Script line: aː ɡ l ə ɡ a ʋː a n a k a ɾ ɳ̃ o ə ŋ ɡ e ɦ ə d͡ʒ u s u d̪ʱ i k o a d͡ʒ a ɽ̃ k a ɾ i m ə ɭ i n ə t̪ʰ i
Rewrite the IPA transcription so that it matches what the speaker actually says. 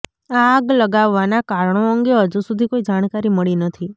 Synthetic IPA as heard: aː ɡ l ə ɡ a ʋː a n a k a ɾ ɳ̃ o ə ŋ ɡ e ɦ ə d͡ʒ u s u d̪ʱ i k o i d͡ʒ a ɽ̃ k a ɾ i m ə ɭ i n ə t̪ʰ i